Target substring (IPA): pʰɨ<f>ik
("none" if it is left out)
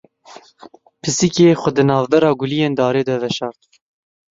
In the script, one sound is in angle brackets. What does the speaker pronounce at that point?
s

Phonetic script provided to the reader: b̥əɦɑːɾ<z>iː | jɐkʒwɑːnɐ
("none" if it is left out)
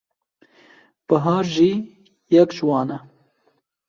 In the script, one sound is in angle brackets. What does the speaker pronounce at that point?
ʒ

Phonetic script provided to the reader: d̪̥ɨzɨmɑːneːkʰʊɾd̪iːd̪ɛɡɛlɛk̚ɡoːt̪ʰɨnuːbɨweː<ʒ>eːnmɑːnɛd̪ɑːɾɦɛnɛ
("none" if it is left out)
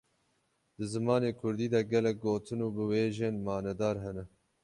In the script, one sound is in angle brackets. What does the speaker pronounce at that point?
ʒ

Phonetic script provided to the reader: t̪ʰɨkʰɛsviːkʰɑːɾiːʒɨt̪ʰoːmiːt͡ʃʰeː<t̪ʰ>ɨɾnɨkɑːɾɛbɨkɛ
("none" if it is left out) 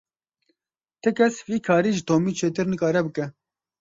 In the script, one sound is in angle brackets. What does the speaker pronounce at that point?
t̪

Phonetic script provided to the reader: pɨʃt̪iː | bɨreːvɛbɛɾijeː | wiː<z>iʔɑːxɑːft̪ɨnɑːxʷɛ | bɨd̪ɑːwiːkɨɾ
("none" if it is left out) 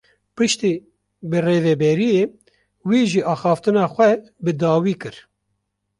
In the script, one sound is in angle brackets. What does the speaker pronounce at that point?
ʒ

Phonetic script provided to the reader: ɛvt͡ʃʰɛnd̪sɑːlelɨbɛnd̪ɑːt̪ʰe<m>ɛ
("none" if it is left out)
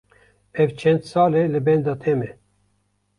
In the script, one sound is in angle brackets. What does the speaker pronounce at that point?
m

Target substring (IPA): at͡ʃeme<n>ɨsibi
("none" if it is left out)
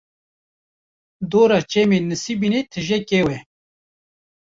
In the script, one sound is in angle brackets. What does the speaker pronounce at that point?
n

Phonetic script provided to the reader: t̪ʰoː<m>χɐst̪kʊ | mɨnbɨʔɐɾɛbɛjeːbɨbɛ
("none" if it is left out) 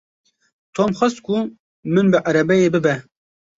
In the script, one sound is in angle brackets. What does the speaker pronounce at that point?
m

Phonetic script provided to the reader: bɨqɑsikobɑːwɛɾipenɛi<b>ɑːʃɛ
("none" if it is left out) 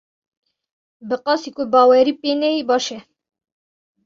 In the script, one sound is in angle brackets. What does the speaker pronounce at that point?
b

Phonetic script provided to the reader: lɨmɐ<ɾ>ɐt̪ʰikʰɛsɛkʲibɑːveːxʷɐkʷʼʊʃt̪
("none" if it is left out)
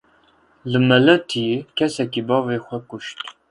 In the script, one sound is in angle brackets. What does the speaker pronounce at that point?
l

